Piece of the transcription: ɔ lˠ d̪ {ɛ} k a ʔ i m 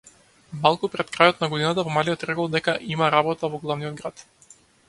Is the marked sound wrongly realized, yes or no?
no